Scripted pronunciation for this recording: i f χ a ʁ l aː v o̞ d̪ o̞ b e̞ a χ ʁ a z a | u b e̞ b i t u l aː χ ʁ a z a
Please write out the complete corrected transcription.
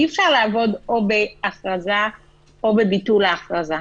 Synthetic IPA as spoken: i f ʃ a ʁ l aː v o̞ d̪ o̞ b e̞ a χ ʁ a z a | o b e̞ b i t u l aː χ ʁ a z a